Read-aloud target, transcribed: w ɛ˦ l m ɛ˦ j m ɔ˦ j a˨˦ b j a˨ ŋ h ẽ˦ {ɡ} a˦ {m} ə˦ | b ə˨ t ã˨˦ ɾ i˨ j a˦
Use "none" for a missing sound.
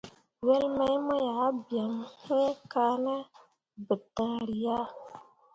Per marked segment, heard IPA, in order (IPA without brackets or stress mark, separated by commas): k, n